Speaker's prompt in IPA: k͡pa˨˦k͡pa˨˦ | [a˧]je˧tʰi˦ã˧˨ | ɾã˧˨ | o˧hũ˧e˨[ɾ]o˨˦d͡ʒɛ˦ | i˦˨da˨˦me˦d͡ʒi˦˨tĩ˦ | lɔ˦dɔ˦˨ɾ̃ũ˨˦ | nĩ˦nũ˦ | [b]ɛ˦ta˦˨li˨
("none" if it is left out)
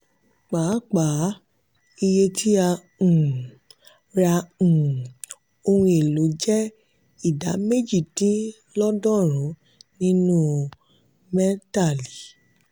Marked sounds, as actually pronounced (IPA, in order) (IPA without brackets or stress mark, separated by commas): i˧, l, m